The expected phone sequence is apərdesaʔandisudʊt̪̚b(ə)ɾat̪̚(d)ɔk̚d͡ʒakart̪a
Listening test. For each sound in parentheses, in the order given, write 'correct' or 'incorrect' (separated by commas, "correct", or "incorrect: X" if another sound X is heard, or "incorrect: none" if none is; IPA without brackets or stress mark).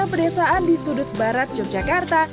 incorrect: a, incorrect: d͡ʒ